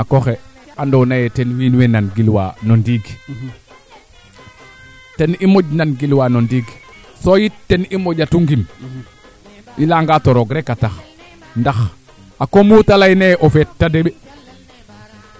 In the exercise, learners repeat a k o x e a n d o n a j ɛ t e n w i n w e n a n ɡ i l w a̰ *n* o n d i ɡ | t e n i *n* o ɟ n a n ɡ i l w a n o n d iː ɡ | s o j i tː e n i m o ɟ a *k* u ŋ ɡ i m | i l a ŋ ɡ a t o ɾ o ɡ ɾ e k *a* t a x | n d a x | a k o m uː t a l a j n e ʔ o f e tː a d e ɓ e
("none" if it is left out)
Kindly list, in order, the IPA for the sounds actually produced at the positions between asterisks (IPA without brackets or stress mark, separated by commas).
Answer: n, m, t, a